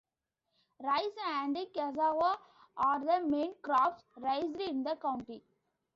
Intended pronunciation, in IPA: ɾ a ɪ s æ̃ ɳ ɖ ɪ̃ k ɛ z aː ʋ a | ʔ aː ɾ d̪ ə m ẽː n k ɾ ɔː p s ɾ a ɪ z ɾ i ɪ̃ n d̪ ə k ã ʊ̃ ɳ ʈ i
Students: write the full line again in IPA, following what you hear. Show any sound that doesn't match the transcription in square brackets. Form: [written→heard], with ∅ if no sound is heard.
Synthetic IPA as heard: ɾ a ɪ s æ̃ ɳ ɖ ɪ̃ k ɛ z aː ʋ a | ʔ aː ɾ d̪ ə m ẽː n k ɾ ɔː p s ɾ a ɪ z ɾ i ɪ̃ n d̪ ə k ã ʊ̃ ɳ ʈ i

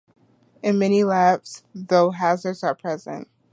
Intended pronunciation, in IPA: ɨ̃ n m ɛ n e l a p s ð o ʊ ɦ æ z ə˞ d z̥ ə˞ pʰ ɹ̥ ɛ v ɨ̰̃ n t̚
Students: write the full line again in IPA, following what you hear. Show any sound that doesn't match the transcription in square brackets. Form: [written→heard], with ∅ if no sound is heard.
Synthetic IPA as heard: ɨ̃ n m ɛ n [e→i] l [a→æ] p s ð o ʊ ɦ æ z ə˞ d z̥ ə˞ pʰ ɹ̥ ɛ [v→z] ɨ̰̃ n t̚

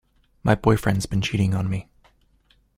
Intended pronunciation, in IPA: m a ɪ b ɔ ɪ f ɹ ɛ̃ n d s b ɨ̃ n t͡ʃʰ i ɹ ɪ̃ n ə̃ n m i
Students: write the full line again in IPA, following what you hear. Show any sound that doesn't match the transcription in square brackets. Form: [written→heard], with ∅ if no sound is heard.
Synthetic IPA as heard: m a ɪ b ɔ ɪ f ɹ ɛ̃ n d [s→z] b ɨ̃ n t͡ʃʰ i [ɹ→ɾ] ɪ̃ [n→ŋ] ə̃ n m i

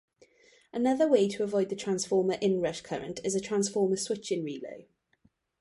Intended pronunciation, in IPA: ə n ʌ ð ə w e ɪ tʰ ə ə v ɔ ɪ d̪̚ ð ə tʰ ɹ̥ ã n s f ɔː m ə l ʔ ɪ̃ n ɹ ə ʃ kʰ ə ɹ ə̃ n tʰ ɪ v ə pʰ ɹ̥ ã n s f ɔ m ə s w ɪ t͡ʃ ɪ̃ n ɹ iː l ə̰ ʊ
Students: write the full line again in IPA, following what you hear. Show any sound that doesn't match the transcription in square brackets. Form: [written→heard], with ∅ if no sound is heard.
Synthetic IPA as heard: ə n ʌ ð ə w e ɪ tʰ ə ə v ɔ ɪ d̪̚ ð ə tʰ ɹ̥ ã n s f ɔː m ə [l→ɹ] ʔ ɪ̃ n ɹ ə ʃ kʰ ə ɹ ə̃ n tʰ ɪ [v→z] ə [pʰ→tʰ] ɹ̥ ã n s f [ɔ→ɔː] m ə s w ɪ t͡ʃ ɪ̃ n ɹ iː l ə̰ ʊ

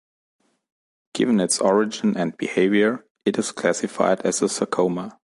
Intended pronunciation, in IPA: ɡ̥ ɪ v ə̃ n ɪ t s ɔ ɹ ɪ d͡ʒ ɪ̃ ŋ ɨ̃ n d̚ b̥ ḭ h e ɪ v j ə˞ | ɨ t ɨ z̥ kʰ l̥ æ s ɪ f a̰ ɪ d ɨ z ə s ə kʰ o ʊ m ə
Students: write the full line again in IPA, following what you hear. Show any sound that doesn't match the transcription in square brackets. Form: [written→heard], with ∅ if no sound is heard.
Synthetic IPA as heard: ɡ̥ ɪ v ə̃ n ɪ t s ɔ ɹ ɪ d͡ʒ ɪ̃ [ŋ→n] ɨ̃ n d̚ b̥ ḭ h e ɪ v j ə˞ | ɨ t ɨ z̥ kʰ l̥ æ s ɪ f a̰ ɪ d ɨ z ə s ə kʰ o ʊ m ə

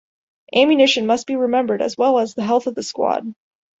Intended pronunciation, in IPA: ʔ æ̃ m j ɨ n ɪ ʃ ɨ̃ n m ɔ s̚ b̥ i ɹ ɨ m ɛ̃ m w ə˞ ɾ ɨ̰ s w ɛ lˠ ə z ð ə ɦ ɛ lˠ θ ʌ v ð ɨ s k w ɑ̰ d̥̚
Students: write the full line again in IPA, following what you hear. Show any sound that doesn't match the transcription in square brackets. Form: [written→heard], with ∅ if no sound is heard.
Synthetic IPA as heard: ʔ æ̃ m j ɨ n ɪ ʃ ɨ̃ n m [ɔ→ʌ] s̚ b̥ i ɹ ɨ m ɛ̃ m [w→b] ə˞ ɾ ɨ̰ [s→z] w ɛ lˠ ə z ð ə ɦ ɛ lˠ θ ʌ v ð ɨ s k w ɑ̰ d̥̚

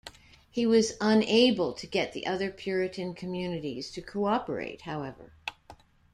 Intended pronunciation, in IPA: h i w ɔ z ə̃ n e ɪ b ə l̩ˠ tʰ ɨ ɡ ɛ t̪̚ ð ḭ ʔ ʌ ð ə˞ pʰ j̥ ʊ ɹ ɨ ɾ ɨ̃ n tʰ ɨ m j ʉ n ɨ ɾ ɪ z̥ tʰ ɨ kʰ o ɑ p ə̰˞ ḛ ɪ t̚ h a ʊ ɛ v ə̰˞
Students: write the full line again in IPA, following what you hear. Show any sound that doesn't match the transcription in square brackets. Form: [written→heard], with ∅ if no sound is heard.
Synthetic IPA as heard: h i w [ɔ→ʌ] z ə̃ n e ɪ b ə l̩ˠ tʰ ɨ ɡ ɛ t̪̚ ð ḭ ʔ ʌ ð ə˞ pʰ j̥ ʊ ɹ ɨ ɾ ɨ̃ n [tʰ→kʰ] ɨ m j ʉ n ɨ ɾ [ɪ→i] z̥ tʰ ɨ kʰ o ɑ p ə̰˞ ḛ ɪ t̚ h a ʊ ɛ v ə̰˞

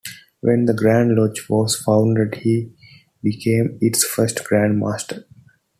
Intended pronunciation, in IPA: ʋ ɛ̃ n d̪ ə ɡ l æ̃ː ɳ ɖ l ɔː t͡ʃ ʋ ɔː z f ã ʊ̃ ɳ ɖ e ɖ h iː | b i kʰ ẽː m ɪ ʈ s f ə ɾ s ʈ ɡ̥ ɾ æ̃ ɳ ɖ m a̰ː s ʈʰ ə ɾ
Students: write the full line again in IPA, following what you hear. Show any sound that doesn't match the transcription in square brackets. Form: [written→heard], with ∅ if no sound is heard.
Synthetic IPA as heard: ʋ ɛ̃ n d̪ ə ɡ [l→ɾ] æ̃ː ɳ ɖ l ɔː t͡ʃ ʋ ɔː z f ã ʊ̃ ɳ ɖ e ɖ h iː | b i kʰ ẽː m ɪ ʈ s f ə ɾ s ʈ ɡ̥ ɾ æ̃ ɳ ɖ m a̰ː s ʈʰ ə ɾ

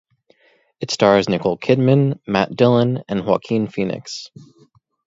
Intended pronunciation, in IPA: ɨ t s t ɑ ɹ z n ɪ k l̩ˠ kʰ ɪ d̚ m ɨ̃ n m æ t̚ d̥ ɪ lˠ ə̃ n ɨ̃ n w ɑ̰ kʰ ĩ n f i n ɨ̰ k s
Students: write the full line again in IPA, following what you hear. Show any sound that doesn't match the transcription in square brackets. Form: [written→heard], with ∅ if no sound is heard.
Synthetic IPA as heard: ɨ t s t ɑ ɹ z n ɪ k l̩ˠ kʰ ɪ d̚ m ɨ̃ n m æ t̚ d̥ ɪ lˠ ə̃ n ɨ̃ n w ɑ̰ kʰ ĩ n f i n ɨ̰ k s

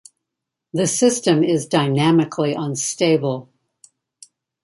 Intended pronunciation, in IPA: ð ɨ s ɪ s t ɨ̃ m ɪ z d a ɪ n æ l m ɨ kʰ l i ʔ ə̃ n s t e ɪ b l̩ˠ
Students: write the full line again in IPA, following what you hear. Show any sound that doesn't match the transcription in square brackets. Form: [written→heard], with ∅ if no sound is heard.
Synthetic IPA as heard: ð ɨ s ɪ s t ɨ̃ m ɪ z d a ɪ n æ [l→∅] m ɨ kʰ l i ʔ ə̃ n s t e ɪ b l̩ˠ

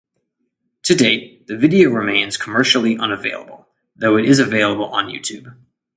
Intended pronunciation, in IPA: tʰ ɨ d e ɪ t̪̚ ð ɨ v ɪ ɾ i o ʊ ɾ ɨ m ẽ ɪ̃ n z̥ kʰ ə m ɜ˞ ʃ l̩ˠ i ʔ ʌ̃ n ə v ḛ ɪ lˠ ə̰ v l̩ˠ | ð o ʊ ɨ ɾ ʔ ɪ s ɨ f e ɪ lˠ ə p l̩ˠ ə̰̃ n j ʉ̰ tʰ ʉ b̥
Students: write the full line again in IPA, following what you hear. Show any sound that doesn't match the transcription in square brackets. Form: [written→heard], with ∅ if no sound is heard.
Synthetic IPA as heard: tʰ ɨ d e ɪ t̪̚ ð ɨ v ɪ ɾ i o ʊ [ɾ→ɹ] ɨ m ẽ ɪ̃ n z̥ kʰ ə m ɜ˞ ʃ l̩ˠ i ʔ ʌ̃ n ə v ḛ ɪ lˠ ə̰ [v→b] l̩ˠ | ð o ʊ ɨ ɾ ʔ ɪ [s→z] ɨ [f→v] e ɪ lˠ ə [p→b] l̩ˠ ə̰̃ n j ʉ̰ tʰ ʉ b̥

